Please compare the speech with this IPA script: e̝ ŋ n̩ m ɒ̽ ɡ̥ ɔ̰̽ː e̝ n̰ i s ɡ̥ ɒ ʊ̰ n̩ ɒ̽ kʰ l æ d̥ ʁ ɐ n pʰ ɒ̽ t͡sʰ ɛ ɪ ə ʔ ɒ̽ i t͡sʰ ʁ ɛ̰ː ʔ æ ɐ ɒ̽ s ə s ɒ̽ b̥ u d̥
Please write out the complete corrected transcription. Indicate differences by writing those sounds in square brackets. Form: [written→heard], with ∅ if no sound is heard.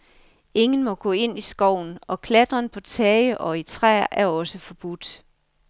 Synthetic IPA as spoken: e̝ ŋ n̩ m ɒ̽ ɡ̥ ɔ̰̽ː e̝ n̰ i s ɡ̥ ɒ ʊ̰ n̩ ɒ̽ kʰ l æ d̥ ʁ ɐ n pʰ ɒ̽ t͡sʰ ɛ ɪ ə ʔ ɒ̽ i t͡sʰ ʁ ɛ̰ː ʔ æ ɐ ɒ̽ s ə [s→f] ɒ̽ b̥ u d̥